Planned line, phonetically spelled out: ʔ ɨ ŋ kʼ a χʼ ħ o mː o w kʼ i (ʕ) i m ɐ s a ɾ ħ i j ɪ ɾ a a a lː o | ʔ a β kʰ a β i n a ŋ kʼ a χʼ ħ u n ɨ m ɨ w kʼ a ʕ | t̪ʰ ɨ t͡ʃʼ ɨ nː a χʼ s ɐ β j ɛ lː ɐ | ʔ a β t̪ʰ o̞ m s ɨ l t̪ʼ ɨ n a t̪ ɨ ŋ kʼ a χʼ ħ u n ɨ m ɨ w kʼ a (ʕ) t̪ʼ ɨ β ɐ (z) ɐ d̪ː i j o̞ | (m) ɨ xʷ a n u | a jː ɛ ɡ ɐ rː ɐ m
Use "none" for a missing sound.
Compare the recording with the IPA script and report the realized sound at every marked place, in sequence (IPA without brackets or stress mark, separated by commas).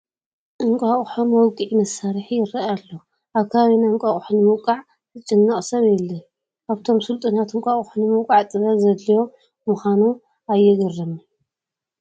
ʕ, ʕ, z, m